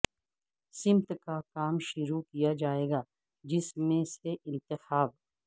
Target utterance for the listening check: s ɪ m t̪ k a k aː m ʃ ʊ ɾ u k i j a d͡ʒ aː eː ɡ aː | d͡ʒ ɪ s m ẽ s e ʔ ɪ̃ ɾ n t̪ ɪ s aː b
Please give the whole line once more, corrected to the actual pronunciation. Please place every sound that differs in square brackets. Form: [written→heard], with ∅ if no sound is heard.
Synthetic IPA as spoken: s ɪ m t̪ k a k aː m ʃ ʊ ɾ u k i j a d͡ʒ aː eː ɡ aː | d͡ʒ ɪ s m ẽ s e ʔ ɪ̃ [ɾ→∅] n t̪ ɪ [s→x] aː b